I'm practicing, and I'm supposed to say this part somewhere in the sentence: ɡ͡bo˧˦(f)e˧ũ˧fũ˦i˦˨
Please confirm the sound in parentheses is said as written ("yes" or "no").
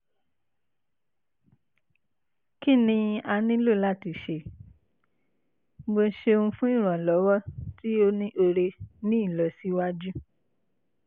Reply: no